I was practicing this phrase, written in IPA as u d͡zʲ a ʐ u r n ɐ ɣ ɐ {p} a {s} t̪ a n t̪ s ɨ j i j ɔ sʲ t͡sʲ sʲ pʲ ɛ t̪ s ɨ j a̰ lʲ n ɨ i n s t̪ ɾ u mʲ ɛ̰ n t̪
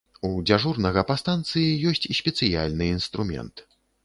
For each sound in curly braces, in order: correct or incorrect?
correct, correct

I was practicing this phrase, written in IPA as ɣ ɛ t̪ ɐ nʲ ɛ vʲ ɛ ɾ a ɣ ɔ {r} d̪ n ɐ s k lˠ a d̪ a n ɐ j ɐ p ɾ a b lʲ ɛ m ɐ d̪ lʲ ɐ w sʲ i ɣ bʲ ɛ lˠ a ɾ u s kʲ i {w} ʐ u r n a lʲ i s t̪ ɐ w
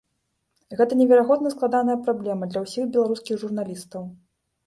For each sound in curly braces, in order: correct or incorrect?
incorrect: none, incorrect: ɣ

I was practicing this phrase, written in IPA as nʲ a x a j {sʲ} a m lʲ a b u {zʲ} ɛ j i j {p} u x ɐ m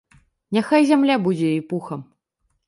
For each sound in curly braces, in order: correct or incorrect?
incorrect: zʲ, incorrect: d͡zʲ, correct

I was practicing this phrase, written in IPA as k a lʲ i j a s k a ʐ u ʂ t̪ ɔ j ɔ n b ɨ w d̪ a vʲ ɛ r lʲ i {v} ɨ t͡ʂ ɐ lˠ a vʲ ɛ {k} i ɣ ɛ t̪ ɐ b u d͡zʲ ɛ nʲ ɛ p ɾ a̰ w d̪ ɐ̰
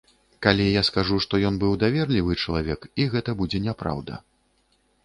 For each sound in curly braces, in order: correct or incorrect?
correct, correct

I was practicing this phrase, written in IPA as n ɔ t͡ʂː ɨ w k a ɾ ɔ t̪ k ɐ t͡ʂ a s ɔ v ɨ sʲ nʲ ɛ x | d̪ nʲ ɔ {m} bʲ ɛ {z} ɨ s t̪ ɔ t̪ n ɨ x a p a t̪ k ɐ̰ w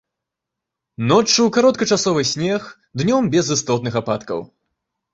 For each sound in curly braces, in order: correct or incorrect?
correct, correct

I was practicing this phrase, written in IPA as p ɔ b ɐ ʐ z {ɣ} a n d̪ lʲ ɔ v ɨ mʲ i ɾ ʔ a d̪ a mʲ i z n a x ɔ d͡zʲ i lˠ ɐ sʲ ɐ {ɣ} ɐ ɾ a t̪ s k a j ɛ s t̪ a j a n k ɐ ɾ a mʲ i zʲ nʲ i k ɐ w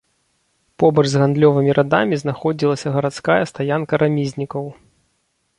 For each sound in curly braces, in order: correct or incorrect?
correct, correct

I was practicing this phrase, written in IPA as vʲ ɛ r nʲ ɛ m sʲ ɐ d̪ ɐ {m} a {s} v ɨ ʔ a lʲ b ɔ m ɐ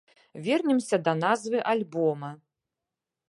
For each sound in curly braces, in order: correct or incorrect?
incorrect: n, incorrect: z

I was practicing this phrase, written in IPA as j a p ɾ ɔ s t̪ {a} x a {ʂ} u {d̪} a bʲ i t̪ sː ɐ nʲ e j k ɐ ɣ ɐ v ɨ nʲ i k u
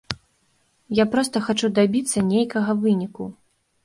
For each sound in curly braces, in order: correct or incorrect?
incorrect: ɐ, incorrect: t͡ʂ, correct

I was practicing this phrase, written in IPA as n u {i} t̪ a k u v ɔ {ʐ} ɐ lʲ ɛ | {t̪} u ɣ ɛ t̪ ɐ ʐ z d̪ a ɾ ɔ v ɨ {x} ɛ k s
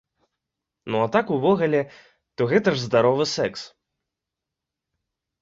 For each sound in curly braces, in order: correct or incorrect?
incorrect: a, incorrect: ɣ, correct, incorrect: s

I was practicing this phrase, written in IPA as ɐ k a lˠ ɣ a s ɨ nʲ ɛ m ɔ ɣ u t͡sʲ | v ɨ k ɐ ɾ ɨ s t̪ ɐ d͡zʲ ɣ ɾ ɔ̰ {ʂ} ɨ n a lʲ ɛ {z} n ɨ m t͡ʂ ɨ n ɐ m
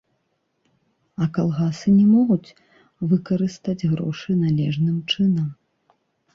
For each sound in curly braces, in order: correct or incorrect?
correct, incorrect: ʐ

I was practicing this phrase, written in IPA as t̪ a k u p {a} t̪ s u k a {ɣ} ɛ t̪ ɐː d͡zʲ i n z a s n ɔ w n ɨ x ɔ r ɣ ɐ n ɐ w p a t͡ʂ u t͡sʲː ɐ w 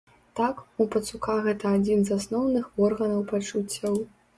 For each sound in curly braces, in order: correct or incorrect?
incorrect: ɐ, correct

